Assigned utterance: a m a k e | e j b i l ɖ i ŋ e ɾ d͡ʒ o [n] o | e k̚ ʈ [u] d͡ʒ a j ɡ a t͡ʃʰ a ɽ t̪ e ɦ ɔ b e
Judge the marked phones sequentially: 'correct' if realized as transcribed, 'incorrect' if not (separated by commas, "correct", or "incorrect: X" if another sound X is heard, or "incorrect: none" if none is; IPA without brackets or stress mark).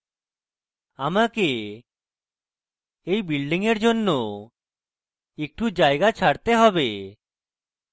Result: incorrect: nː, correct